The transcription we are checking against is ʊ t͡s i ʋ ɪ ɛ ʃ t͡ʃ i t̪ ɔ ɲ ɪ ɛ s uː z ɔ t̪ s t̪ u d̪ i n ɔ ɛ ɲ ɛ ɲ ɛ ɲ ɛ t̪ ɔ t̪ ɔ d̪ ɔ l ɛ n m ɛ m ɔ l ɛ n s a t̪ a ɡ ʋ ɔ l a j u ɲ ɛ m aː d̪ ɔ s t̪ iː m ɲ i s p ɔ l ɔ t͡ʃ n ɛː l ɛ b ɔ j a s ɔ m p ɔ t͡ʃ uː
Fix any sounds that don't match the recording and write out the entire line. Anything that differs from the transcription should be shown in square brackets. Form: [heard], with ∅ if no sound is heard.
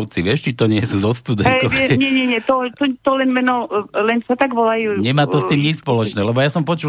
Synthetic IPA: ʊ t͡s i ʋ ɪ ɛ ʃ t͡ʃ i t̪ ɔ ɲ ɪ ɛ s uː z ɔ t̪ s t̪ u d̪ [ɛ] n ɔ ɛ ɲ ɛ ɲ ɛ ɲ ɛ t̪ ɔ t̪ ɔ [t̪] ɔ l ɛ n m ɛ [n] ɔ l ɛ n s a t̪ a ɡ ʋ ɔ l a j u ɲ ɛ m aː [t̪] ɔ s t̪ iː m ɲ i s p ɔ l ɔ t͡ʃ n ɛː l ɛ b ɔ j a s ɔ m p ɔ t͡ʃ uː